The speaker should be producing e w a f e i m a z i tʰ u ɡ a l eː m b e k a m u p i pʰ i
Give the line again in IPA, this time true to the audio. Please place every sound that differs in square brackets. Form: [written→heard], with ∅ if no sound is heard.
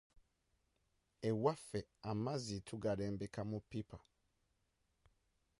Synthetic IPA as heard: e w a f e [i→a] m a z i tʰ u ɡ a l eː m b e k a m u p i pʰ [i→a]